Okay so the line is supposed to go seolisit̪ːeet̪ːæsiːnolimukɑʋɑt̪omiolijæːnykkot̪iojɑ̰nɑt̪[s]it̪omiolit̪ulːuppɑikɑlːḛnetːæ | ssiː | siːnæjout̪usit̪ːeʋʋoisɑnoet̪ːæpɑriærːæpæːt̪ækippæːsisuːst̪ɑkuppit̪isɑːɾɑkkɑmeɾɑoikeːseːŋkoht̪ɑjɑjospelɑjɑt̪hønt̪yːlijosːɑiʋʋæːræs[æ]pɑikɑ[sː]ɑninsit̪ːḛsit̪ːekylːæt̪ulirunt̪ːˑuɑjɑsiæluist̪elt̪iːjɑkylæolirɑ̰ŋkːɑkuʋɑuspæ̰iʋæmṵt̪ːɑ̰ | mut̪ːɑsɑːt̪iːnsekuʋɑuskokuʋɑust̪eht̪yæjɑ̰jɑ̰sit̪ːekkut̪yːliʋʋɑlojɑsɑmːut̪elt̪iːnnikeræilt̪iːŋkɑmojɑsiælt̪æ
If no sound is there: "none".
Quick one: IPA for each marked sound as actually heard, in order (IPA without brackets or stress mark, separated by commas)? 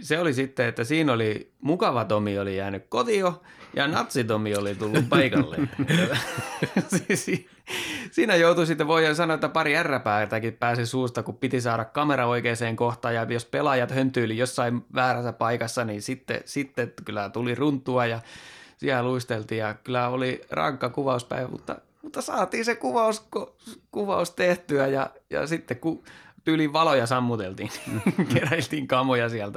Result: s, æ, sː